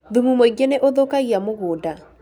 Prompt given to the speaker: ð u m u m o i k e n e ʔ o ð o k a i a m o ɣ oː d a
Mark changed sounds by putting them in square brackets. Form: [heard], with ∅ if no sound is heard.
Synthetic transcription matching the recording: ð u m u m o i [ɡ] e n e ʔ o ð o k a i a m o ɣ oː d a

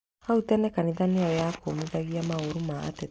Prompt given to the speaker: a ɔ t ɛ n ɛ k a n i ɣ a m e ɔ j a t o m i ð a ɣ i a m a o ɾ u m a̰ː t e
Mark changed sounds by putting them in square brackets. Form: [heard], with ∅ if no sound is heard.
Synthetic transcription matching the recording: a [u] t ɛ n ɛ k a n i [ð] a [n] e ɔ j a [k] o m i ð a ɣ i a m a o ɾ u m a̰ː t e

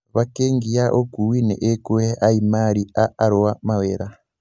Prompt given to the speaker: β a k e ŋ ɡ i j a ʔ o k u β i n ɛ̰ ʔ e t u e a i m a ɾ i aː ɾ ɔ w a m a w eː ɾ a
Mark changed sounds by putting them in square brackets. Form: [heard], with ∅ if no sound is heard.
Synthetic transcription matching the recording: β a k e ŋ ɡ i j a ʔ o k u [w] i n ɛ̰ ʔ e [k] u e a i m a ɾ i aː ɾ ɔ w a m a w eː ɾ a

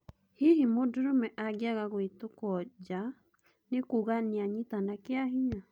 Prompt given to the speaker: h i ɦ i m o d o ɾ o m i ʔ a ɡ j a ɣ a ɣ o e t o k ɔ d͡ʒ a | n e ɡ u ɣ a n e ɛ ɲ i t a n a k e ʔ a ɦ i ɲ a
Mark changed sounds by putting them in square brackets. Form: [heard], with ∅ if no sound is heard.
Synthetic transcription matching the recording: h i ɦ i m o d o ɾ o m [ɛ] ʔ a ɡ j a ɣ a ɣ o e t o k ɔ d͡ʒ a | n e [k] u ɣ a n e [a] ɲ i t a n a k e [∅] a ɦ i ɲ a

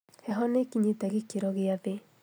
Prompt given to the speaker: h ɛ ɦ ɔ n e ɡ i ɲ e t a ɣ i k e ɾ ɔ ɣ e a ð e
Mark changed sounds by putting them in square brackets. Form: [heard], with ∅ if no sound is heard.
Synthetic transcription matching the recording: h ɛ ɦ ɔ n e [k] i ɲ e t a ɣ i k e ɾ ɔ ɣ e a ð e

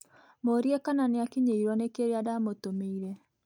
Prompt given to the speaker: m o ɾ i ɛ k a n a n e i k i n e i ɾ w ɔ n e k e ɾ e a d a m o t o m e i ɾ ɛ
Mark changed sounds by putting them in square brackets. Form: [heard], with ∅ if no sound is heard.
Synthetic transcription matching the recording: m o ɾ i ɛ k a n a n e [a] k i [ɲ] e i ɾ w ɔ n e k e ɾ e a d a m o t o m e i ɾ ɛ

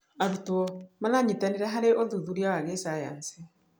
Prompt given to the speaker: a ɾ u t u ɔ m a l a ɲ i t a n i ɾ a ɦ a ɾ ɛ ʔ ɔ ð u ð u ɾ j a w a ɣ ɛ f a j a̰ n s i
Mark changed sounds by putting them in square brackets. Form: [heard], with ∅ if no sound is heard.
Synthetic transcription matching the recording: a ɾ u t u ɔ m a l a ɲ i t a n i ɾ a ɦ a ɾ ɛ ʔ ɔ ð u ð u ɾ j a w a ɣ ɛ [s] a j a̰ n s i

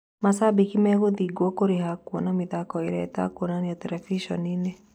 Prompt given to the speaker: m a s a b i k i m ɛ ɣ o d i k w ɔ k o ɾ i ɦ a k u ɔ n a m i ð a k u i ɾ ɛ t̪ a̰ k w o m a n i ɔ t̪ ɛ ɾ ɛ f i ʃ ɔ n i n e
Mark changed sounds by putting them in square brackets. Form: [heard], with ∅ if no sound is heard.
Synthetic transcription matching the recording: m a s a b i k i m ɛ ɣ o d i [ɡ] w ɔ k o ɾ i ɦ a k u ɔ n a m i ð a k [ɔ] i ɾ ɛ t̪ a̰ k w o [n] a n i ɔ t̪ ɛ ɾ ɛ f i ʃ ɔ n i n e

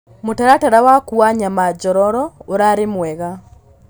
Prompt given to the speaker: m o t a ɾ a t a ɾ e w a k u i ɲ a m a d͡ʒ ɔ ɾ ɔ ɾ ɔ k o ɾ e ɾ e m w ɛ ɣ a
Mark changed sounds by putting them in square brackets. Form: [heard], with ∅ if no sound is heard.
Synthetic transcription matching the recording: m o t a ɾ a t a ɾ [a] w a k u [a] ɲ a m a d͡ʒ ɔ ɾ ɔ ɾ ɔ [∅] o ɾ [a] ɾ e m w ɛ ɣ a

